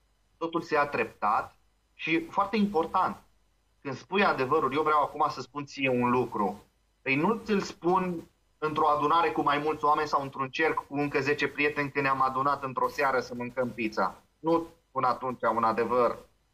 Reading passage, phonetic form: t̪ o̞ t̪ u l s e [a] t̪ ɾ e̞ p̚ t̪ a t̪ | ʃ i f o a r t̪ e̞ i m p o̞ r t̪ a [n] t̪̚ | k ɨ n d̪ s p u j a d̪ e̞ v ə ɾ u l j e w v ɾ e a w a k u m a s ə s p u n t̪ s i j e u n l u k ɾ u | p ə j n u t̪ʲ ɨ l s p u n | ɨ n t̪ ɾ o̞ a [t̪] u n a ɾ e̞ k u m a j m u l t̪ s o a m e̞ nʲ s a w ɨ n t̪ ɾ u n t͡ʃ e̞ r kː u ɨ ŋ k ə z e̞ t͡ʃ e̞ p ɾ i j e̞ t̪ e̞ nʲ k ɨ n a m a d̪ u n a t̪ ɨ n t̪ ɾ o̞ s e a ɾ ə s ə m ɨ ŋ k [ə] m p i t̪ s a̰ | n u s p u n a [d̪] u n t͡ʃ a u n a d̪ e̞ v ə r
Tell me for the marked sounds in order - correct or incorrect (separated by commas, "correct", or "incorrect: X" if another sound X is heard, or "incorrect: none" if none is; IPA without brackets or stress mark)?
correct, correct, incorrect: d̪, correct, incorrect: t̪